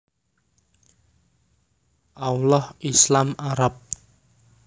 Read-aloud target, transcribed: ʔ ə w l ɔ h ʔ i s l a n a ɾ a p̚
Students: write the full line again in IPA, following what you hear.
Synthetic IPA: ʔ a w l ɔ h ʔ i s l a m a ɾ a p̚